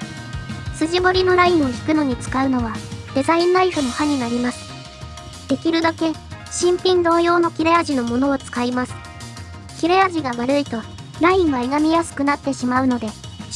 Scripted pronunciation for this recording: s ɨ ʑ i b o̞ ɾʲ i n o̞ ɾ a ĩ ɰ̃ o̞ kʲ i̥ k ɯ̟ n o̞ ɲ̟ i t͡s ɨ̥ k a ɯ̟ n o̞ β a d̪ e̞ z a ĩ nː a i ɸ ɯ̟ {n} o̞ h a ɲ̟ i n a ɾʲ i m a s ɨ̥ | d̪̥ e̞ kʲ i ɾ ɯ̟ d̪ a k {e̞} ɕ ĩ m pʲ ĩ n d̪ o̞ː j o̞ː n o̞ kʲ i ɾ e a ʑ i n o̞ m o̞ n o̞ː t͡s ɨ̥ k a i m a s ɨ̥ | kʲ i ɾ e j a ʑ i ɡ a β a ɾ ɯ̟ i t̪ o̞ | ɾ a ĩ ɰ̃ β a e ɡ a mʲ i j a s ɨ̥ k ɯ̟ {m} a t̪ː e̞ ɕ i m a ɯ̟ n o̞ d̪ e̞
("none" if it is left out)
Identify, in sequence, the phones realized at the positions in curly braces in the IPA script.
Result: n, e̞, n

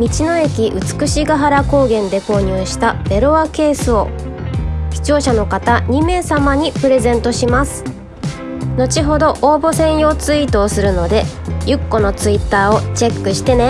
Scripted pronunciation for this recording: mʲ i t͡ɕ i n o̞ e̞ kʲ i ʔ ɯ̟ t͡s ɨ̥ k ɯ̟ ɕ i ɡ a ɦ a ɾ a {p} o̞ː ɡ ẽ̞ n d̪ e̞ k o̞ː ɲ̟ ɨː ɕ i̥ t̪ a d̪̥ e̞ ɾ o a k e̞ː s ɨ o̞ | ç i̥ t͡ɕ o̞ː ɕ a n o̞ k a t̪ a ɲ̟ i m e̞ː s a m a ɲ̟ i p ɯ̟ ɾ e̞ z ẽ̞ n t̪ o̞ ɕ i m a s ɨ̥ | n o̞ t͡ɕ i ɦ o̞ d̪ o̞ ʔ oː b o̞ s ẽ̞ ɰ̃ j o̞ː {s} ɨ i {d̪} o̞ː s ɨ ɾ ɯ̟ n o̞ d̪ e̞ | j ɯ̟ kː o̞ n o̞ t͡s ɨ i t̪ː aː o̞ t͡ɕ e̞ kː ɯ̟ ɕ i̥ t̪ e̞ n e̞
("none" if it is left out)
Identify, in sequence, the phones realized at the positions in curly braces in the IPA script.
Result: k, t͡s, t̪

